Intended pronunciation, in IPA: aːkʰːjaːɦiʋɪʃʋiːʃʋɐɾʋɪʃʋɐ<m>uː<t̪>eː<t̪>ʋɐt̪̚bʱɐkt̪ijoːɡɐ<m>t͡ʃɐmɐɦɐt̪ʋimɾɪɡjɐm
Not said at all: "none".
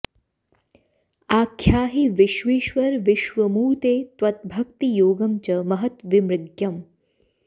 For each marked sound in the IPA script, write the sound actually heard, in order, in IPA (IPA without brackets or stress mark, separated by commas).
m, t̪, t̪, m